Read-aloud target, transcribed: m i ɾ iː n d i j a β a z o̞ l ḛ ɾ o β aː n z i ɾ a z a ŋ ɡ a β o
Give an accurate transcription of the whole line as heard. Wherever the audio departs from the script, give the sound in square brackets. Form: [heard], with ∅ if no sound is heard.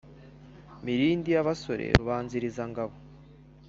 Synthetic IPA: m i ɾ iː n d i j a β a [s] o̞ [ɾ] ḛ ɾ [u] β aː n z i ɾ [i] z a ŋ ɡ a β o